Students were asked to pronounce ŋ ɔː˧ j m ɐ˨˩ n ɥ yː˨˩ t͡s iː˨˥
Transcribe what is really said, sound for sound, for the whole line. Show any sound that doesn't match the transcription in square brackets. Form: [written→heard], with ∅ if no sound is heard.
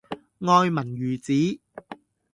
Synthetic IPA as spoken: ŋ ɔː˧ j m ɐ˨˩ n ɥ yː˨˩ t͡s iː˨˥